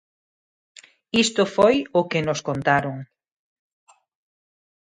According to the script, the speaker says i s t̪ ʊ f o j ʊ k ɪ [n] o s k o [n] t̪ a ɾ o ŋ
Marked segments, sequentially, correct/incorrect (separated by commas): correct, correct